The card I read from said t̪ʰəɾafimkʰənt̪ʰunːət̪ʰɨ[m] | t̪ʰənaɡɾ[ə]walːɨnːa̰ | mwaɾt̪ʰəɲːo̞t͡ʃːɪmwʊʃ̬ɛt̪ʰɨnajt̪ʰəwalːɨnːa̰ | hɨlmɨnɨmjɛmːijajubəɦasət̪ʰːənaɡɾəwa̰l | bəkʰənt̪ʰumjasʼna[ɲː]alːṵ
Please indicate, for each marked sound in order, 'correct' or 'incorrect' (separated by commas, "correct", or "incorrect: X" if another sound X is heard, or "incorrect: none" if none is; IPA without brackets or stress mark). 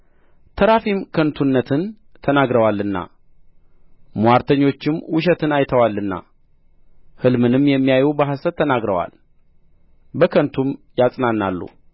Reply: incorrect: n, correct, incorrect: nː